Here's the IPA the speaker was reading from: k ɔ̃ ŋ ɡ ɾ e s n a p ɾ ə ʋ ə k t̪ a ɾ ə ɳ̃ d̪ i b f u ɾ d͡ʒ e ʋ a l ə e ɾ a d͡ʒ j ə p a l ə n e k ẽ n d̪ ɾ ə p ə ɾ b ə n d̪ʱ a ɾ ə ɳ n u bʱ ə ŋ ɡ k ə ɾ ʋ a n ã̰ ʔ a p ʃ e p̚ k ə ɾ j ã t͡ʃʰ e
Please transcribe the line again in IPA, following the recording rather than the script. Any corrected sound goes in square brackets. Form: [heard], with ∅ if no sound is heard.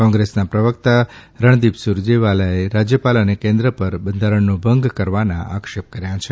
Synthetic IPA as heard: k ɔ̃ ŋ ɡ ɾ e s n a p ɾ ə ʋ ə k t̪ a ɾ ə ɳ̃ d̪ i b [s] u ɾ d͡ʒ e ʋ a l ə e ɾ a d͡ʒ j ə p a l ə n e k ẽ n d̪ ɾ ə p ə ɾ b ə n d̪ʱ a ɾ ə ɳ n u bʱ ə ŋ ɡ k ə ɾ ʋ a n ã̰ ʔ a [k] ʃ e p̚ k ə ɾ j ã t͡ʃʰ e